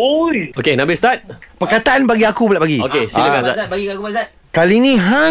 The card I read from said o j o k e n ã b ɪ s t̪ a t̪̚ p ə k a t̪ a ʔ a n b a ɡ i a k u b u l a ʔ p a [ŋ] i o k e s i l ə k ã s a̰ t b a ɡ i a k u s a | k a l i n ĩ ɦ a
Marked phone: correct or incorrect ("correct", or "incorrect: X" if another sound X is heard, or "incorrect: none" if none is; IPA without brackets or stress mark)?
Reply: incorrect: ɡ